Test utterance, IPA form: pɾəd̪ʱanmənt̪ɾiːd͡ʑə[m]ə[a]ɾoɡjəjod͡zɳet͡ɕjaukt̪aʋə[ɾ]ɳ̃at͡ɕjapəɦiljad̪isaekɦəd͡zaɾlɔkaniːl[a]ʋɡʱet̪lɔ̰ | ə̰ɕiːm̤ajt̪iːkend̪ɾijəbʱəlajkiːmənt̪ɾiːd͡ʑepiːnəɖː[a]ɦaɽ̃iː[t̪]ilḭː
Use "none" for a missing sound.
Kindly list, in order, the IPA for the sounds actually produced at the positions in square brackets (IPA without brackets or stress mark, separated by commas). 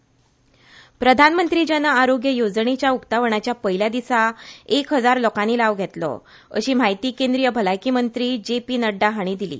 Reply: n, a, none, a, a, d̪